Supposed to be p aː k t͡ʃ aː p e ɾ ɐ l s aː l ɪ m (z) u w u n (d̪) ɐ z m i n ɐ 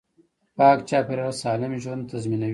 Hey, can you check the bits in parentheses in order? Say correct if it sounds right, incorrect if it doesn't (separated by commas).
incorrect, incorrect